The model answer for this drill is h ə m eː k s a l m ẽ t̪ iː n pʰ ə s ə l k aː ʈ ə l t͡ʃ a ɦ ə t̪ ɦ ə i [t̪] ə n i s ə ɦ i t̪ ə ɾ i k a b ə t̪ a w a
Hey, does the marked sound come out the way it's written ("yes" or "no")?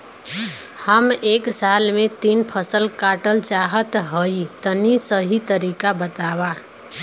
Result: yes